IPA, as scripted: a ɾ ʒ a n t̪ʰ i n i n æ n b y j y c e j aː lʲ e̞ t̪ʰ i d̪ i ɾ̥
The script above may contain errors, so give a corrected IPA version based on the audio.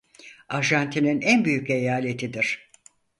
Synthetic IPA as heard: a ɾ ʒ a n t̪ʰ i n i n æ n b y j y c e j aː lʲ e̞ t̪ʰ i d̪ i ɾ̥